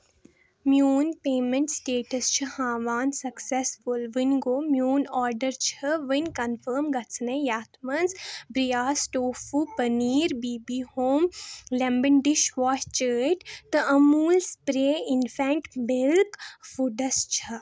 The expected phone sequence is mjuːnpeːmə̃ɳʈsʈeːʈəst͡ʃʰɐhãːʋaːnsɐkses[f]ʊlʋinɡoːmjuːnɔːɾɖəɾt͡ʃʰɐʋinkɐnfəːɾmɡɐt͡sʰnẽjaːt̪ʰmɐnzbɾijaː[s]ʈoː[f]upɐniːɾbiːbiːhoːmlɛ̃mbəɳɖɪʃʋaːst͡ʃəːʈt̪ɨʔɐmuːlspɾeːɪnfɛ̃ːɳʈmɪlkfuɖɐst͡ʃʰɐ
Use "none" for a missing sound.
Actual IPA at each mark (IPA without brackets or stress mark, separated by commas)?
f, s, f